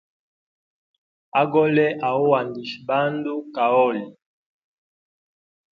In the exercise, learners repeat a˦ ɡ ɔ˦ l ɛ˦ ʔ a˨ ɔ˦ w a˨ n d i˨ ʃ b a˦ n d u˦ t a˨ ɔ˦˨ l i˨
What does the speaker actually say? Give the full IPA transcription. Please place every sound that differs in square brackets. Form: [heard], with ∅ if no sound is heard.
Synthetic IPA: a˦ ɡ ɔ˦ l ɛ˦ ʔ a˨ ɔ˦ w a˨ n d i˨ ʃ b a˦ n d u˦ [k] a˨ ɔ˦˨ l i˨